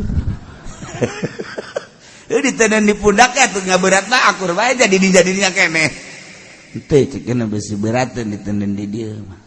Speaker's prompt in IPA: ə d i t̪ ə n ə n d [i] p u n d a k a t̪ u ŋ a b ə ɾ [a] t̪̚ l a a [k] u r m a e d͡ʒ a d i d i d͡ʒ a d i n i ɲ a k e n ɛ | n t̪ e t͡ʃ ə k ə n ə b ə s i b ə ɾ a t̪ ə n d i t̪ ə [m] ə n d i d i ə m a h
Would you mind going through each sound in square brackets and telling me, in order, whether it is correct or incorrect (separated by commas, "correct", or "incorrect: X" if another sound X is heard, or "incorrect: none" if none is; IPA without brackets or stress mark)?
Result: correct, correct, correct, incorrect: n